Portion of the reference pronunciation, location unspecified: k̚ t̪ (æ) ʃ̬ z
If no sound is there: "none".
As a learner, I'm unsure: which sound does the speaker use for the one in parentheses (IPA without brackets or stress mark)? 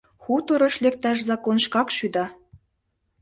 æ